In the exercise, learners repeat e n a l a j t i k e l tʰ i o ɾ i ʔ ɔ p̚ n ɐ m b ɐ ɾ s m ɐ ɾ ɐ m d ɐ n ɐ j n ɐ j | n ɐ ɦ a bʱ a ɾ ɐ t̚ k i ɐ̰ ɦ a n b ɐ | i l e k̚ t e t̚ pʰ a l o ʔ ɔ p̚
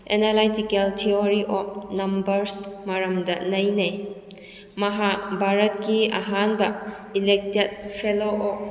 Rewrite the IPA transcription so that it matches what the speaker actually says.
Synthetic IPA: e n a l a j t i k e l tʰ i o ɾ i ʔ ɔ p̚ n ɐ m b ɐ ɾ s m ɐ ɾ ɐ m d ɐ n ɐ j n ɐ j | m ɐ ɦ a bʱ a ɾ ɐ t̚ k i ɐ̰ ɦ a n b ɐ | i l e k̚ t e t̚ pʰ e l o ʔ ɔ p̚